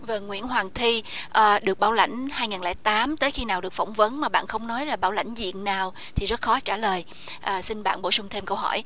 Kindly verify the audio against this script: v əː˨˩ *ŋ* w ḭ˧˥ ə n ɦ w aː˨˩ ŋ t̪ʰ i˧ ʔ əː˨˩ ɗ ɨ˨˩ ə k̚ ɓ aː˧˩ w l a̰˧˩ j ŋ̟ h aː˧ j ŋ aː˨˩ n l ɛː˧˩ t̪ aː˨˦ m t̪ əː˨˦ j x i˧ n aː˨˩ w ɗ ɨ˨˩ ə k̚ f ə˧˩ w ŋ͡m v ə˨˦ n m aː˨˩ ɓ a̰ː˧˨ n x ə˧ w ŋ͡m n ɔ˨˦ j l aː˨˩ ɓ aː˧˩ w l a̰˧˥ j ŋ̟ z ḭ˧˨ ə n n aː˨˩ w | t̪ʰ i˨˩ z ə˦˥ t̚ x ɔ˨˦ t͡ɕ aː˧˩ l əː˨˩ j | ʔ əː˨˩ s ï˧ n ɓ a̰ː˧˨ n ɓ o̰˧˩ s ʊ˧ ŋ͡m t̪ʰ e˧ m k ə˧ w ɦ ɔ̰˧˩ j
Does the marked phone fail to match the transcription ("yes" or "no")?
no